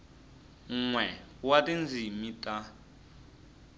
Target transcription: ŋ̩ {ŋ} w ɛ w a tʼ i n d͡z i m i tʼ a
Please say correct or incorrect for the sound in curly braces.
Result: correct